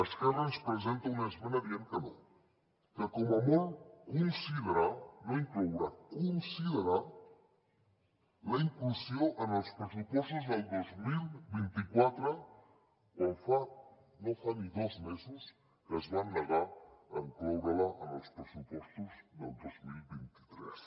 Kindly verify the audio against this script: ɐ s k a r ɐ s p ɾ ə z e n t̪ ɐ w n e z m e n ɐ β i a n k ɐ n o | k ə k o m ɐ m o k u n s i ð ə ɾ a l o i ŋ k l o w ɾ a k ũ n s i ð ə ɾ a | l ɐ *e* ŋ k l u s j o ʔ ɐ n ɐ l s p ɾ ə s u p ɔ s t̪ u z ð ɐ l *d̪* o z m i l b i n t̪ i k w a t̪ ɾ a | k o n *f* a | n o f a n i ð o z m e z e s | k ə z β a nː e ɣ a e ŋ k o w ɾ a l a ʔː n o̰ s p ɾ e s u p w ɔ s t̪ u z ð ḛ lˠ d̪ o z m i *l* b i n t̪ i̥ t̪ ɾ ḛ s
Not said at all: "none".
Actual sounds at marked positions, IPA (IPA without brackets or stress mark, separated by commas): i, d̪, f, l